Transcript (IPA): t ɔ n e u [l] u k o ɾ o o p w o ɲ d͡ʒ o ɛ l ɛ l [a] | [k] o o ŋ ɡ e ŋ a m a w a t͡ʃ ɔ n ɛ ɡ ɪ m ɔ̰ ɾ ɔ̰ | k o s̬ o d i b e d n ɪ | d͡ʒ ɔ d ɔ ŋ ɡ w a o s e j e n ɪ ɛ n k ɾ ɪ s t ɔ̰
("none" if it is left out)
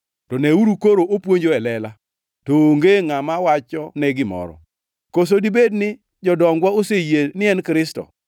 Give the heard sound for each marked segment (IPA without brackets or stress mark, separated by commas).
ɾ, a, t